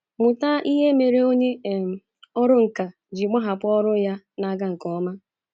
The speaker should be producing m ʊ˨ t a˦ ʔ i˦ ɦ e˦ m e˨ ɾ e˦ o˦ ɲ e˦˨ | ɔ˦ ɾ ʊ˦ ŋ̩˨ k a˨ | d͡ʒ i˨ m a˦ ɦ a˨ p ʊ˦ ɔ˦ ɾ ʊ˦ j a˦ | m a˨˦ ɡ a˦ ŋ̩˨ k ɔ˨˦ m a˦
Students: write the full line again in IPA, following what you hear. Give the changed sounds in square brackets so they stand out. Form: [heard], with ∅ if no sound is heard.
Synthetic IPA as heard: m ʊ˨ t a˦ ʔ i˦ ɦ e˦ m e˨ ɾ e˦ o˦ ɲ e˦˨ | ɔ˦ ɾ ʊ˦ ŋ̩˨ k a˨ | d͡ʒ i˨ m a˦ ɦ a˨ p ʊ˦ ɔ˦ ɾ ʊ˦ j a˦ | [n] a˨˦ ɡ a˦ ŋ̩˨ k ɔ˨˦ m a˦